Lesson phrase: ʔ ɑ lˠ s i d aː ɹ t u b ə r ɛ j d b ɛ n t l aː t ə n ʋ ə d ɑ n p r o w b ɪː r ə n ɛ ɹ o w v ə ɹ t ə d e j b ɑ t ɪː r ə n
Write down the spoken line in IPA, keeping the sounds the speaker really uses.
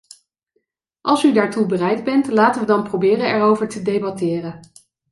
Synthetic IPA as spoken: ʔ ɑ lˠ s y d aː ɹ t u b ə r ɛ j d b ɛ n t l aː t ə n ʋ ə d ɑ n p r o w b ɪː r ə n ɛ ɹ o w v ə ɹ t ə d e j b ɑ t ɪː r ə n